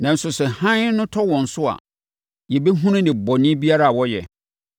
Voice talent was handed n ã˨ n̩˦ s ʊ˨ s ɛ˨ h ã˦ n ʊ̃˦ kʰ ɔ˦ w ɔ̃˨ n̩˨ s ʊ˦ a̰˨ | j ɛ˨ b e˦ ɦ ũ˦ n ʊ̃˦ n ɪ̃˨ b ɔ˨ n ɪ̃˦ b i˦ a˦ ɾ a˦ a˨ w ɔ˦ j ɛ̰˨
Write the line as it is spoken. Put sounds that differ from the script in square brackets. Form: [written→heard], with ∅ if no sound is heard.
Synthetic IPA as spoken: n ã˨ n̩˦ s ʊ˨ s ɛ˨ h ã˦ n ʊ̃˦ [kʰ→tʰ] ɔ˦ w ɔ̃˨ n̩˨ s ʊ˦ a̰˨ | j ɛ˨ b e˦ ɦ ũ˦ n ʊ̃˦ n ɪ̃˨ b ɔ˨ n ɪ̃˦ b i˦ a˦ ɾ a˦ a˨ w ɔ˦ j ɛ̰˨

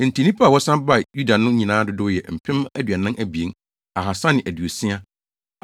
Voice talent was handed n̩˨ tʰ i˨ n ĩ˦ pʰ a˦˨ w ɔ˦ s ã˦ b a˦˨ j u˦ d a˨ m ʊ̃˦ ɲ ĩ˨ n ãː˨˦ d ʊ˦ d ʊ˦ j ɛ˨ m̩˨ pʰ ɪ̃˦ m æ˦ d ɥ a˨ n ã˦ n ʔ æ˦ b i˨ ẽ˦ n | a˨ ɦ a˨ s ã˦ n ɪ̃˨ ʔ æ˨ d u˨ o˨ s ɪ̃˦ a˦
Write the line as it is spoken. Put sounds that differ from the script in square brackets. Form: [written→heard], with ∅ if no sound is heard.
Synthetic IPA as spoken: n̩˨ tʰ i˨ n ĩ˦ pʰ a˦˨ w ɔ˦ s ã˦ b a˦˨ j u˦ d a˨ [m→n] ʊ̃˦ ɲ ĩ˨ n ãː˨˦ d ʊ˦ d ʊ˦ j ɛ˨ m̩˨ pʰ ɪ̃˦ m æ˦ d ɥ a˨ n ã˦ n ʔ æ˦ b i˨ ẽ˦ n | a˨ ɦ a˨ s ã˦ n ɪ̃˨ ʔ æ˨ d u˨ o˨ s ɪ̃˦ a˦

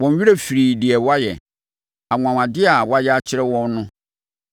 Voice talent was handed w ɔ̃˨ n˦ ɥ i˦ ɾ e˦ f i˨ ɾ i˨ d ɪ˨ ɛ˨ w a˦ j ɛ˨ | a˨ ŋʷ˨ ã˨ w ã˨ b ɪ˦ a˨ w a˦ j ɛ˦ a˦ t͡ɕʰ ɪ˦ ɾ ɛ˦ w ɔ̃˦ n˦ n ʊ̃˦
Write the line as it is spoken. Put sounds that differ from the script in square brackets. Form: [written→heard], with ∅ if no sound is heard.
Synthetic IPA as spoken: w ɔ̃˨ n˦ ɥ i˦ ɾ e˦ f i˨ ɾ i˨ d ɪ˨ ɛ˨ w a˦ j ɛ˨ | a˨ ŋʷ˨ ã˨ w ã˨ [b→d] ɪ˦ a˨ w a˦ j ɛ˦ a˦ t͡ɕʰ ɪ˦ ɾ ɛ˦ w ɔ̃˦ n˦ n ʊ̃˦

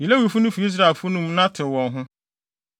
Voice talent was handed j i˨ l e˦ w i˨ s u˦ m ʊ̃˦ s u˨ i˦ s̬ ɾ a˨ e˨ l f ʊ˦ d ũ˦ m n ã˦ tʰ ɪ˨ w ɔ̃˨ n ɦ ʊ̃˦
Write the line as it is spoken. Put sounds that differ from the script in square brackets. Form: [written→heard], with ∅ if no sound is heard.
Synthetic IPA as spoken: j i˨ l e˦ w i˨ [s→f] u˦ [m→n] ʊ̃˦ [s→f] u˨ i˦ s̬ ɾ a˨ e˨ l f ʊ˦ [d→n] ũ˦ m n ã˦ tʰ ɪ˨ w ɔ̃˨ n ɦ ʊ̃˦

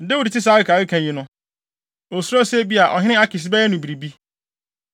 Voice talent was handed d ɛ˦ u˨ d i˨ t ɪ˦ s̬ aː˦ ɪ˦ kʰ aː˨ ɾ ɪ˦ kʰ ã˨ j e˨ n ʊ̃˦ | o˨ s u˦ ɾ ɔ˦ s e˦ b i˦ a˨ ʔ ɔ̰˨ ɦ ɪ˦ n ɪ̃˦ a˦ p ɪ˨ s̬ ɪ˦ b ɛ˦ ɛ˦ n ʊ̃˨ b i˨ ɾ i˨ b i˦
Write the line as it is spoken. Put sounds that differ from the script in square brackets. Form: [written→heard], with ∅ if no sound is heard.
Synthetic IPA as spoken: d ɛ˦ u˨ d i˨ t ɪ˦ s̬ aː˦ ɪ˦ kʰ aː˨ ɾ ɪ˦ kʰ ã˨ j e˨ n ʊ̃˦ | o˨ s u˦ ɾ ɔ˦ s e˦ b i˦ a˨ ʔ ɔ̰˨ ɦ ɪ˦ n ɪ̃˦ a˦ [p→k] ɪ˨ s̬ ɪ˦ b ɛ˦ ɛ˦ n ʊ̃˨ b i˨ ɾ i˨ b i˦

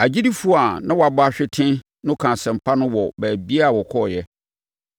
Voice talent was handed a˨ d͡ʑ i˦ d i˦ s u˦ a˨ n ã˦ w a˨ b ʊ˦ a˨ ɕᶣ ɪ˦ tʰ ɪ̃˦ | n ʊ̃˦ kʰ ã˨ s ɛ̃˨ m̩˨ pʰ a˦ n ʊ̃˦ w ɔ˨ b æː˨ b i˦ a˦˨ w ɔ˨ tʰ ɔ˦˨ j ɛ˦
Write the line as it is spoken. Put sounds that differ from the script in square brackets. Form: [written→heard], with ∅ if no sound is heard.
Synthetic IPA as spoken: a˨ d͡ʑ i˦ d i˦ [s→f] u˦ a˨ n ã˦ w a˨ b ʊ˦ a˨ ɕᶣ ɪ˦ tʰ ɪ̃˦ | n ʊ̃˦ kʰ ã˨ s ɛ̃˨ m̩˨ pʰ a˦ n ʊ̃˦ w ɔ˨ b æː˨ b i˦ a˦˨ w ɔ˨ [tʰ→kʰ] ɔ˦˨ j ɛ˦

